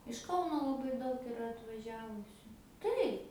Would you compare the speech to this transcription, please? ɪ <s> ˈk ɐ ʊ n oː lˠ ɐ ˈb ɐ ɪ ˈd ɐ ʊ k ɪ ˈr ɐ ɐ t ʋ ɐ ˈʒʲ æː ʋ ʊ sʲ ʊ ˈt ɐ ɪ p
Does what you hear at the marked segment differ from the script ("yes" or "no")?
yes